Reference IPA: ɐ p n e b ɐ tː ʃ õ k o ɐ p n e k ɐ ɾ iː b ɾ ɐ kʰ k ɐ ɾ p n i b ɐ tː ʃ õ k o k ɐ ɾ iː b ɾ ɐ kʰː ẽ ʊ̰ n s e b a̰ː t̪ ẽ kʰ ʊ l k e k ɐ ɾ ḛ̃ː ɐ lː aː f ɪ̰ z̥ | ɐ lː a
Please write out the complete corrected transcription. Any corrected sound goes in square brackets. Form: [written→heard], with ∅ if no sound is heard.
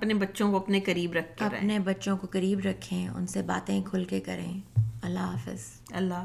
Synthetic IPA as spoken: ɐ p n e b ɐ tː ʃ õ k o ɐ p n e k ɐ ɾ iː b ɾ ɐ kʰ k ɐ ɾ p n [i→e] b ɐ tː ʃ õ k o k ɐ ɾ iː b ɾ ɐ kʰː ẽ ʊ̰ n s e b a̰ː t̪ ẽ kʰ ʊ l k e k ɐ ɾ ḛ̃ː ɐ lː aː f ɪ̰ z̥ | ɐ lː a